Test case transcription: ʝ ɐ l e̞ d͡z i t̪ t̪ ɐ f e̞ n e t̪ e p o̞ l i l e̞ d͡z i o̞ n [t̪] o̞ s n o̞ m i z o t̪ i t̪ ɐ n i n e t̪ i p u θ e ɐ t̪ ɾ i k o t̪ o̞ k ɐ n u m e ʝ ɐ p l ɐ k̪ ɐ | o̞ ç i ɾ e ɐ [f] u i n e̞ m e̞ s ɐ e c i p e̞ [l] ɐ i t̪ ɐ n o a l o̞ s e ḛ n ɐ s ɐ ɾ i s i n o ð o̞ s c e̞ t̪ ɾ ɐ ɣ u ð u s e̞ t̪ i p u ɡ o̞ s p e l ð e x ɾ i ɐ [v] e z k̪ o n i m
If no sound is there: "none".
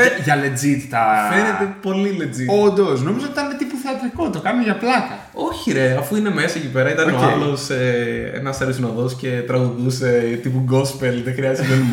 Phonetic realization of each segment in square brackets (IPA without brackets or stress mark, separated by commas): d̪, f, ɾ, z